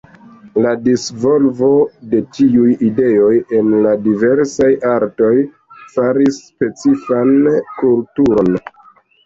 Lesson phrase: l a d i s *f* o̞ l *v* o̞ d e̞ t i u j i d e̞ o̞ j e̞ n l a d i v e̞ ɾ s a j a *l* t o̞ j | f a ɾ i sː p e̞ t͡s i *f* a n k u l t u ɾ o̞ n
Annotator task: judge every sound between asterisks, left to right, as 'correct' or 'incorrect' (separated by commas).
incorrect, correct, incorrect, correct